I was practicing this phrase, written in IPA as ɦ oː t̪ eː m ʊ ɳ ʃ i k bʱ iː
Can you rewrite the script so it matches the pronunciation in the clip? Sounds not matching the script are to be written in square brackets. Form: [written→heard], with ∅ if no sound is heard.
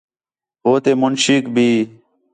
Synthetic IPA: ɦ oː t̪ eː m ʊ [ɳ→n] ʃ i k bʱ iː